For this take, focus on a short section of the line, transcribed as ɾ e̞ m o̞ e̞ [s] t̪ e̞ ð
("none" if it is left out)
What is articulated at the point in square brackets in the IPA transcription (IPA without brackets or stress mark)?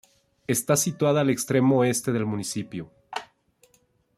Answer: s